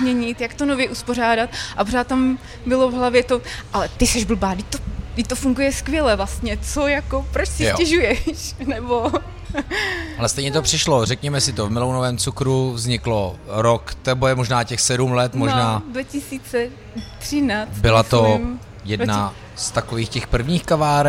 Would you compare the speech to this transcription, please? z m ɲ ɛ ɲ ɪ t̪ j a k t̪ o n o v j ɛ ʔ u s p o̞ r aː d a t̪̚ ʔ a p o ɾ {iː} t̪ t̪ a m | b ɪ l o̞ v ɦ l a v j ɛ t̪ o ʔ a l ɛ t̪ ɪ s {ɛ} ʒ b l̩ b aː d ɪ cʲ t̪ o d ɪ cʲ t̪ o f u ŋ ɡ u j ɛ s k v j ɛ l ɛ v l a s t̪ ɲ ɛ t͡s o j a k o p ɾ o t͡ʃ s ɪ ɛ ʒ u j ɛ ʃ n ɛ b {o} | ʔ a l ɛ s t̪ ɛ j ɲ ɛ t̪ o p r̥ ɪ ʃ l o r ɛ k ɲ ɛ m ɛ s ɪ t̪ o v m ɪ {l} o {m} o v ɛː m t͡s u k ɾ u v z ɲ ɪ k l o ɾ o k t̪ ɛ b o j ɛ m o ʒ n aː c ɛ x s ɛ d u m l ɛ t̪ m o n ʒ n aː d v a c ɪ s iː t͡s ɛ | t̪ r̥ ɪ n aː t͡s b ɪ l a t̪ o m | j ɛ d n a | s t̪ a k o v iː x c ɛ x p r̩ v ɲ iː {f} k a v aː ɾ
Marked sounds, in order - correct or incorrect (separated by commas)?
incorrect, correct, correct, correct, incorrect, incorrect